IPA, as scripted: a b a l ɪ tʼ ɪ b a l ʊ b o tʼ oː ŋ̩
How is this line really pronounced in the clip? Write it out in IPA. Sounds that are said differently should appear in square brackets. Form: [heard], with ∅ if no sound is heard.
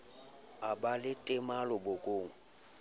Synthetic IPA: a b a l ɪ tʼ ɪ [m] a l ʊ b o [kʼ] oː ŋ̩